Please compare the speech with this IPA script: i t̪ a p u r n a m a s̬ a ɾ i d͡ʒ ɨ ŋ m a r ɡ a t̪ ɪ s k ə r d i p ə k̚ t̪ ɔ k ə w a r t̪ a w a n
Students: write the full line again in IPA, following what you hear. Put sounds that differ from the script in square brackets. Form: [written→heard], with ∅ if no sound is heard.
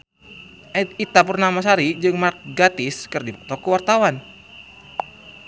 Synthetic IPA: i t̪ a p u r n a m a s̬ a ɾ i d͡ʒ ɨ ŋ m a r ɡ a t̪ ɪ s k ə r d i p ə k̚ t̪ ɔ k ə w a r t̪ a w a n